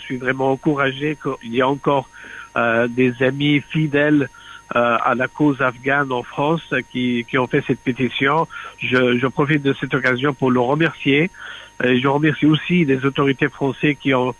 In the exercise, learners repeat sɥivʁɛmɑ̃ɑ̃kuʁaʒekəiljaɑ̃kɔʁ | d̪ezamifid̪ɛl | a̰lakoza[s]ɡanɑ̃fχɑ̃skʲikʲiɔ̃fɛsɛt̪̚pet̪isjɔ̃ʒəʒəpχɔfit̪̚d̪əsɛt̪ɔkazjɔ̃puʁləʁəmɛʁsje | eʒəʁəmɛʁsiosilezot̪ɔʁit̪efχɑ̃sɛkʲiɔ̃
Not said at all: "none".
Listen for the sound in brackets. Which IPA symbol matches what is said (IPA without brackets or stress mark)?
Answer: f